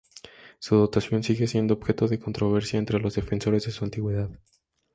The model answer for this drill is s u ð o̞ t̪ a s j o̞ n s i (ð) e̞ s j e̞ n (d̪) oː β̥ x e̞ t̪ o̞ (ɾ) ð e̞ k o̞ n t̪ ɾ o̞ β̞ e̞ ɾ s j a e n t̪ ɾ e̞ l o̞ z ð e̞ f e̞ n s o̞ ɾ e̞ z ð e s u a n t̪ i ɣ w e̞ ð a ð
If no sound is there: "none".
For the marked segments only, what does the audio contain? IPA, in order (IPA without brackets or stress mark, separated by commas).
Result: ɣ, d̪, none